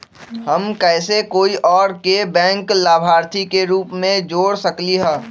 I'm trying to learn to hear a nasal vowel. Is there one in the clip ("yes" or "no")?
yes